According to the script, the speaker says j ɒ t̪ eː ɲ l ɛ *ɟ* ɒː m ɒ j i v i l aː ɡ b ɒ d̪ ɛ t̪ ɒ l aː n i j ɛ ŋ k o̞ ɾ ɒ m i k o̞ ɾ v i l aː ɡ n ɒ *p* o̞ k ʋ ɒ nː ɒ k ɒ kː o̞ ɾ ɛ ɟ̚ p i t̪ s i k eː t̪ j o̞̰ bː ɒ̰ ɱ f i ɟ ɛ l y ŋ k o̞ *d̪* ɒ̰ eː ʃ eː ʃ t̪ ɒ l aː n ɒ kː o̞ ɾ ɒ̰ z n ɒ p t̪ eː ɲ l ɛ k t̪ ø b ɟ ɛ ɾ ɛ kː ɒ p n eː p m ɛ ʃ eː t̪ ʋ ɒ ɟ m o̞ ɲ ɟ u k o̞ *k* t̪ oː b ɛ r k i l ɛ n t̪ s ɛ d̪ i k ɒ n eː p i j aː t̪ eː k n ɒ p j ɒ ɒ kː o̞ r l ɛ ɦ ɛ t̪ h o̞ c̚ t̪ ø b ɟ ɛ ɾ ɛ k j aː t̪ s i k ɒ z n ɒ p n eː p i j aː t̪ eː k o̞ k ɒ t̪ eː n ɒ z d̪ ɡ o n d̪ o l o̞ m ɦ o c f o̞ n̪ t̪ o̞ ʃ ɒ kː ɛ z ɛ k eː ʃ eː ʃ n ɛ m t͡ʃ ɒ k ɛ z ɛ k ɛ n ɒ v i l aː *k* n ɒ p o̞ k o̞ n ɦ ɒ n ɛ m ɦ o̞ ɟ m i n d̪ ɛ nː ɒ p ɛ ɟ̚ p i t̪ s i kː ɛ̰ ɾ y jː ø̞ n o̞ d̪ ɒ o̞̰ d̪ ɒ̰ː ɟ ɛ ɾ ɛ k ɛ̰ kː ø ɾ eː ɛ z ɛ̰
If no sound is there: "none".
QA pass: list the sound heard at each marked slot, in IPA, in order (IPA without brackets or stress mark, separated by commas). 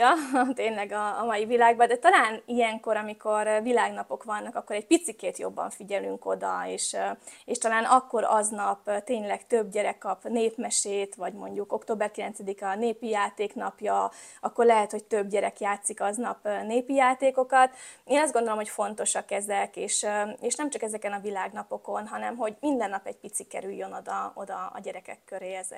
ɡ, p, d̪, k, ɡ